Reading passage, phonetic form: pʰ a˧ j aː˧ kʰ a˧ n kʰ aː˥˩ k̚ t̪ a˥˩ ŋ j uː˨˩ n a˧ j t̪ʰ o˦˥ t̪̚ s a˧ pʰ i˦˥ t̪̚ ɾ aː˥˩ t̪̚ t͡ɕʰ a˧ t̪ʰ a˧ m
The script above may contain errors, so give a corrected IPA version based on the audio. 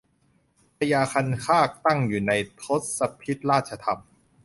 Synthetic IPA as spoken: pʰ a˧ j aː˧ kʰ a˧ n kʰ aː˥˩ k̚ t̪ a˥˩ ŋ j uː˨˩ n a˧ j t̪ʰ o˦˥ t̪̚ s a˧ pʰ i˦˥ t̪̚ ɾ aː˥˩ t̪̚ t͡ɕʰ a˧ t̪ʰ a˧ m